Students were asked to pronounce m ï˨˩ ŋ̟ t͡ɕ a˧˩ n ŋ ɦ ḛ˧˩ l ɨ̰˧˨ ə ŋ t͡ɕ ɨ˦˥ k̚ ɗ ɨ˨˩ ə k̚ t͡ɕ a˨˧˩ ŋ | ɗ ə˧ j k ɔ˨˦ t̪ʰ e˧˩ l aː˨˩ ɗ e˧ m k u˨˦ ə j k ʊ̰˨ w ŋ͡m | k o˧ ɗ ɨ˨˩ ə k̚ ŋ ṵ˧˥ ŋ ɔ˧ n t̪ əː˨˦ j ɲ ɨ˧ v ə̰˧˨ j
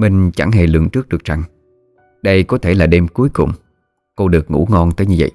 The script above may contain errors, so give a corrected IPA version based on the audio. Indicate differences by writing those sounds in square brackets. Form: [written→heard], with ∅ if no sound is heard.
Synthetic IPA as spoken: m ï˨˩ ŋ̟ t͡ɕ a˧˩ [n→∅] ŋ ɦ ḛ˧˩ l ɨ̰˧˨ ə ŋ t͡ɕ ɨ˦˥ k̚ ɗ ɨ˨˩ ə k̚ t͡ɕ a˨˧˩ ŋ | ɗ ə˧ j k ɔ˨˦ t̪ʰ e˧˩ l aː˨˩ ɗ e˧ m k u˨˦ ə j k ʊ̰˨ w ŋ͡m | k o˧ ɗ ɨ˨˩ ə k̚ ŋ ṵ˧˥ ŋ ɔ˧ n t̪ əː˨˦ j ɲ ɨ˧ v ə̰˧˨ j